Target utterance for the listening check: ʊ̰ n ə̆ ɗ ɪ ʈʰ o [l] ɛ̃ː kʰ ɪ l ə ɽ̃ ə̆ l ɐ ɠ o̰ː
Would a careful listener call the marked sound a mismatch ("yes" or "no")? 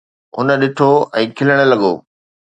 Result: yes